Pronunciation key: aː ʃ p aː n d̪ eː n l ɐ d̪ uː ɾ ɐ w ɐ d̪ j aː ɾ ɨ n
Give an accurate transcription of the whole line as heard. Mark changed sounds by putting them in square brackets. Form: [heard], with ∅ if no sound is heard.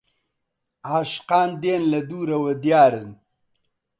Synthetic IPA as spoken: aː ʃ [q] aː n d̪ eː n l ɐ d̪ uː ɾ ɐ w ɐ d̪ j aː ɾ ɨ n